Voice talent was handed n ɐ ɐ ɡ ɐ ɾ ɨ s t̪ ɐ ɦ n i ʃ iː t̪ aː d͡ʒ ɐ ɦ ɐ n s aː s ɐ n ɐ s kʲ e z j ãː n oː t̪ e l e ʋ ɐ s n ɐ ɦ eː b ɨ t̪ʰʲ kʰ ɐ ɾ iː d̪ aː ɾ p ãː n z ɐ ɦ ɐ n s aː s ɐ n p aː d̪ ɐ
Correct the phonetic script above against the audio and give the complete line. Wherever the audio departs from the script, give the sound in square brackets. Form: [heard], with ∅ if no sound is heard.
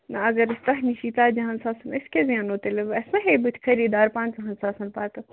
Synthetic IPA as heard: n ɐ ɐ ɡ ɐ ɾ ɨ s t̪ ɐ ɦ n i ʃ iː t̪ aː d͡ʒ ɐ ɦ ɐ n s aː s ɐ n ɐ s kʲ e z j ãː n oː t̪ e l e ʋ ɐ s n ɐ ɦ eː b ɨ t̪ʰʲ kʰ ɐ ɾ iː d̪ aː ɾ p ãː n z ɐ ɦ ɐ n s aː s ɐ n p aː [t̪] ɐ